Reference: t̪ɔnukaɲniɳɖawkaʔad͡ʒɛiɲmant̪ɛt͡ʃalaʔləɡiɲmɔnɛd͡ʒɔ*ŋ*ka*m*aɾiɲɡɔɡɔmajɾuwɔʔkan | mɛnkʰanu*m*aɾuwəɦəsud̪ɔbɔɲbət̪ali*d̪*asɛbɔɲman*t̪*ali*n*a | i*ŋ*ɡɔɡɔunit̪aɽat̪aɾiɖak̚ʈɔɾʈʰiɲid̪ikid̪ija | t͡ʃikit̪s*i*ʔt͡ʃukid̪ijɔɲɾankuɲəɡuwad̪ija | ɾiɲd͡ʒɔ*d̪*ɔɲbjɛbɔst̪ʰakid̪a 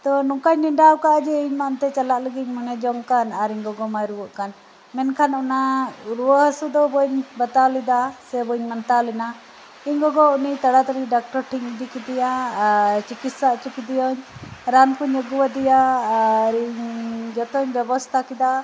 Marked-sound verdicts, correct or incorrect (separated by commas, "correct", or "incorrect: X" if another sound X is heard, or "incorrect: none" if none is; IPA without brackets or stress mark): correct, incorrect: n, incorrect: n, correct, correct, correct, incorrect: ɲ, incorrect: a, incorrect: t̪